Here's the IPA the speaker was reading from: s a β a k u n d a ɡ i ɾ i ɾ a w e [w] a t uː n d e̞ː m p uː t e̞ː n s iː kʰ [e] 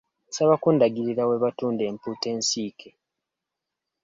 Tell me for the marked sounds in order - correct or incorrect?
incorrect, correct

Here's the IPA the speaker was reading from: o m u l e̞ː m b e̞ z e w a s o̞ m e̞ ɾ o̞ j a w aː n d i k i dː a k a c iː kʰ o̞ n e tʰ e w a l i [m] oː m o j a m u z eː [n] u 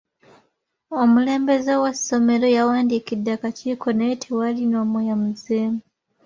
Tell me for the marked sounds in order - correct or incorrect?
incorrect, incorrect

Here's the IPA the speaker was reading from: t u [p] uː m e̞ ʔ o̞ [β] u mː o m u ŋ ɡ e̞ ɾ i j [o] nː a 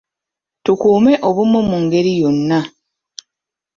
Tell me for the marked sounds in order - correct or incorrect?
incorrect, correct, correct

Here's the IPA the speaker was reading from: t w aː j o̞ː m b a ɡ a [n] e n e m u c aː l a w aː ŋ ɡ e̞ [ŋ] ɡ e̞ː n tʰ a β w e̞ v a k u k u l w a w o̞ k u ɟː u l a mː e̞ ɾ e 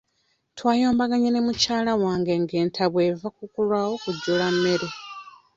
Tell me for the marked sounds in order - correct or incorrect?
incorrect, correct

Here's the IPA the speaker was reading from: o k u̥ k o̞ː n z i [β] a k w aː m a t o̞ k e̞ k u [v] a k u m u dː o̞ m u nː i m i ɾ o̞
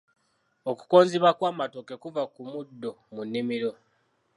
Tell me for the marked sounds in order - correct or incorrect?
correct, correct

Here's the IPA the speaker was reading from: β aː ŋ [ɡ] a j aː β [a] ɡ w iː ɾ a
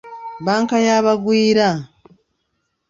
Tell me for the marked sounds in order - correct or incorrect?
incorrect, correct

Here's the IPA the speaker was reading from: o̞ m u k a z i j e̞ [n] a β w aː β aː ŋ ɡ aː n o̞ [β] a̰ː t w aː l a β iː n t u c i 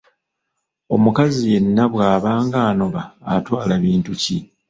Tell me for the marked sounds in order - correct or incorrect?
incorrect, correct

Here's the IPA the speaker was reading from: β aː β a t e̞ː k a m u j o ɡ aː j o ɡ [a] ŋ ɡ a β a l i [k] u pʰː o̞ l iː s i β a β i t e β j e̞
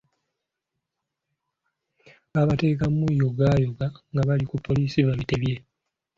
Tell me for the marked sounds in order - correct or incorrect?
correct, correct

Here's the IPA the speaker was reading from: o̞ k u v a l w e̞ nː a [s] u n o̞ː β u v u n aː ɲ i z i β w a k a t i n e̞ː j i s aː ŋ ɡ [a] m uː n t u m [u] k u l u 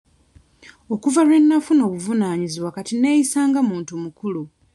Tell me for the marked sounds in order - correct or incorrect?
incorrect, correct, correct

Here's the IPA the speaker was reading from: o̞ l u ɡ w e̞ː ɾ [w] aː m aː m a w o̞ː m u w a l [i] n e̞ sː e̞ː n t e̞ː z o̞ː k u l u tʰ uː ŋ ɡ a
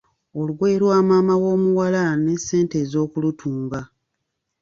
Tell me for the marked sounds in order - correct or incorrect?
correct, incorrect

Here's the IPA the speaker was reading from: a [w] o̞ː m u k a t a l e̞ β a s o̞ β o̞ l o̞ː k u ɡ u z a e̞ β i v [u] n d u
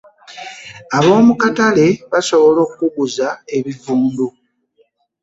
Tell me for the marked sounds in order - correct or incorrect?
incorrect, incorrect

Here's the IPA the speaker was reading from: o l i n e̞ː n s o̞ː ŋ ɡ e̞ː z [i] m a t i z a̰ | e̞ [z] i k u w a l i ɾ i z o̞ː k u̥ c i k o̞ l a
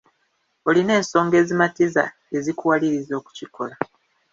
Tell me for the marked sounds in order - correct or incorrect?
correct, correct

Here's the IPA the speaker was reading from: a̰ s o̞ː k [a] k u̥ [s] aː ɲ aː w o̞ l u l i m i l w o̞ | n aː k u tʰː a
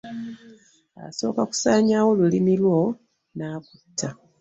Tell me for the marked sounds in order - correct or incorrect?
correct, correct

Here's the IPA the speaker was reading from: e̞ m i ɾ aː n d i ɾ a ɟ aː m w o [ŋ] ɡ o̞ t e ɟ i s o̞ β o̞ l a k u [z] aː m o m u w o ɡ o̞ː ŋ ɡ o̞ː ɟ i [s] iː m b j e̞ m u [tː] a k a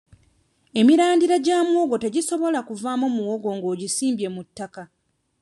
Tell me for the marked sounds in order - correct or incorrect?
incorrect, incorrect, correct, correct

